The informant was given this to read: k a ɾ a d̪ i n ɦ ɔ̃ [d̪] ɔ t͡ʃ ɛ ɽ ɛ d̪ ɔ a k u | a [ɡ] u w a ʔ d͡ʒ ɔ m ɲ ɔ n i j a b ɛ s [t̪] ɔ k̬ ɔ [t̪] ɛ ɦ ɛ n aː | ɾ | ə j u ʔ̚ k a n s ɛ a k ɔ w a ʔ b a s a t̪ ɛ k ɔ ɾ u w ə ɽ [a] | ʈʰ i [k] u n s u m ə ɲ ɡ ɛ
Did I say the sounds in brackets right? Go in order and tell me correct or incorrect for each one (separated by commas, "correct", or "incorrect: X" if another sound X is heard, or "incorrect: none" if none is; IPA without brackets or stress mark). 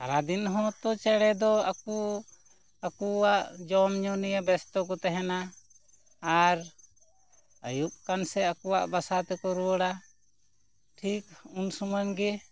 incorrect: t̪, incorrect: k, correct, correct, correct, correct